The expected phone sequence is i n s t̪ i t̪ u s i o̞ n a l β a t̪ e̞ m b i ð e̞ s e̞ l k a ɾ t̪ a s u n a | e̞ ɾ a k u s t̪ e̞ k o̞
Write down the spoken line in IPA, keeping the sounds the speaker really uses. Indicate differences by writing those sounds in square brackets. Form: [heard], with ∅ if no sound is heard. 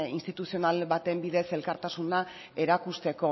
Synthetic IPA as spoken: i n s t̪ i t̪ u s i o̞ n a l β a t̪ e̞ m b i ð e̞ s e̞ l k a ɾ t̪ a s u n a | e̞ ɾ a k u s t̪ e̞ k o̞